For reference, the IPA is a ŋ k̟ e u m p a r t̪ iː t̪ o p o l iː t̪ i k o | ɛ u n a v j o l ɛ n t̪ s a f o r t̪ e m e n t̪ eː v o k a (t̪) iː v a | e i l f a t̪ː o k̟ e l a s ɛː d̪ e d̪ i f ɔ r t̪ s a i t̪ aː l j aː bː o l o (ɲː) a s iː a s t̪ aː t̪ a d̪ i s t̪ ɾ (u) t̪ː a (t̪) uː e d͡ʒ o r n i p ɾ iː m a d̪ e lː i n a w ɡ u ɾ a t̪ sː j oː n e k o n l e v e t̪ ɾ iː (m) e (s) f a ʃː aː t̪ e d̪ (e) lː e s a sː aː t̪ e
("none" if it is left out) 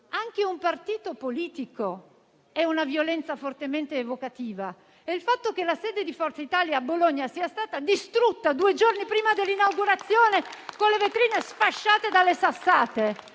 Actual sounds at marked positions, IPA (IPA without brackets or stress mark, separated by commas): t̪, ɲː, u, d̪, n, s, a